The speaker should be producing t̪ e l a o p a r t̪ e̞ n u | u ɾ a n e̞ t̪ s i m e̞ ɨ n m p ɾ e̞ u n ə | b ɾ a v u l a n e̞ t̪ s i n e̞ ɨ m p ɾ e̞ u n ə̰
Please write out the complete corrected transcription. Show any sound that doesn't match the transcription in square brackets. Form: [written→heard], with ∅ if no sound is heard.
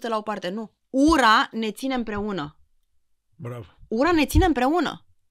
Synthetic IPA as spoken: t̪ e l a o p a r t̪ e̞ n u | u ɾ a n e̞ t̪ s i [m→n] e̞ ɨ [n→∅] m p ɾ e̞ u n ə | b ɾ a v u [l→ɾ] a n e̞ t̪ s i n e̞ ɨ m p ɾ e̞ u n ə̰